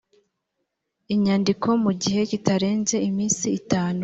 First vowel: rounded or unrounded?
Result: unrounded